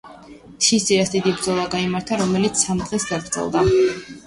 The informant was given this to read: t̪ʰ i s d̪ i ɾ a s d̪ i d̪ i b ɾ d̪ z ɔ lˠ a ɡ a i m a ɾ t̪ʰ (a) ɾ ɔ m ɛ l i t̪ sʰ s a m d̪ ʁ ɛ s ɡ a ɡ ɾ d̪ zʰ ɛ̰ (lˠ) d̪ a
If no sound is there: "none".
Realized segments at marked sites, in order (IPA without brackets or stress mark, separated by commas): a, lˠ